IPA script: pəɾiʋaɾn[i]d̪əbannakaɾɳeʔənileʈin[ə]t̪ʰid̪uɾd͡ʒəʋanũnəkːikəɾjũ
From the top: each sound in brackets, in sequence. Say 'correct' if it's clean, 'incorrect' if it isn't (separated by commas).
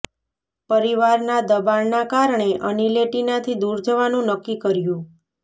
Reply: incorrect, incorrect